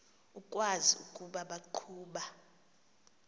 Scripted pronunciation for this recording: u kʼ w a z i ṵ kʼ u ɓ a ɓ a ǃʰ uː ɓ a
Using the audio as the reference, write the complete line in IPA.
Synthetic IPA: u kʼ w a z i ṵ kʼ u ɓ a ɓ a ǃʰ uː ɓ a

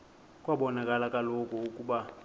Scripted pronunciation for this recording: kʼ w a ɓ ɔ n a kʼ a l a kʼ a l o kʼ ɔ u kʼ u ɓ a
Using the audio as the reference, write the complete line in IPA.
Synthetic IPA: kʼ w a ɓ ɔ n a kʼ a l a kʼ a l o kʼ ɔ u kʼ u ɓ a

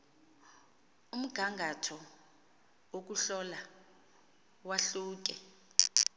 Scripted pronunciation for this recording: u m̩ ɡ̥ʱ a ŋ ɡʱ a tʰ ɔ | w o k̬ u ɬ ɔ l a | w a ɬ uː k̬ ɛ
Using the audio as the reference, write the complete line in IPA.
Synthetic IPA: u m̩ ɡ̥ʱ a ŋ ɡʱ a tʰ ɔ | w o k̬ u ɬ ɔ l a | w a ɬ uː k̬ ɛ

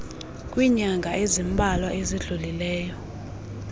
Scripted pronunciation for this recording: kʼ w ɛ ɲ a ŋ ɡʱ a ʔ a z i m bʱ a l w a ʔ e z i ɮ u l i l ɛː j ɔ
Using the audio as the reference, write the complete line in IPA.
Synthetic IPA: kʼ w i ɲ a ŋ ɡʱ a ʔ e z i m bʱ a l w a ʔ e z i ɮ u l i l ɛː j ɔ

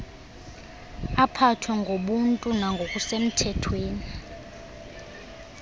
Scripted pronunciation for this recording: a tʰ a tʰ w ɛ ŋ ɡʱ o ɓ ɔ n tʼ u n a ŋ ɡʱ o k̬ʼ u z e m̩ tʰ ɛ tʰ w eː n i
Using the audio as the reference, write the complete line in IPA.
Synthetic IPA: a pʰ a tʰ w ɛ ŋ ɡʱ o ɓ u n tʼ u n a ŋ ɡʱ o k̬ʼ u s e m̩ tʰ ɛ tʰ w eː n i

